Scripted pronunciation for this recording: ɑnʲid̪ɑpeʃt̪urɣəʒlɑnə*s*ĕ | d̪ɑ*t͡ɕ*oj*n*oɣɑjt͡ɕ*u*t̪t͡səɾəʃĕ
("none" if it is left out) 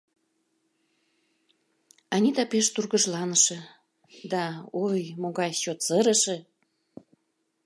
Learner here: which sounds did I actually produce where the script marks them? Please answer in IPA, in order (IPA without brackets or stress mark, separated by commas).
ʃ, none, m, o